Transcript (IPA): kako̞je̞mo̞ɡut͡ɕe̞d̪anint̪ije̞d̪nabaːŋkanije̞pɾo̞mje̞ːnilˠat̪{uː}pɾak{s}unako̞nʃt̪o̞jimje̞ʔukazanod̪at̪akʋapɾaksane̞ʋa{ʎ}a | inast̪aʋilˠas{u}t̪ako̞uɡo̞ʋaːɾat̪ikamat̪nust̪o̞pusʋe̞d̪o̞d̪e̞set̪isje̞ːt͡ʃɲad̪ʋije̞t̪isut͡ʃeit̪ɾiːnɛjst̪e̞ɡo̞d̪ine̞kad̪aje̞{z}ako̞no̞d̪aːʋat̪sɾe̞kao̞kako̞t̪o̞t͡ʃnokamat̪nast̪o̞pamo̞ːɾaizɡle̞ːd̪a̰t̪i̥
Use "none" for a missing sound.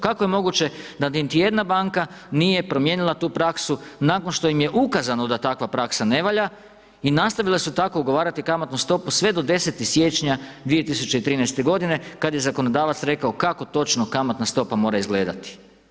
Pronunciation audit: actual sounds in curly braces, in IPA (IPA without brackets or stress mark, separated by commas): uː, s, ʎ, u, z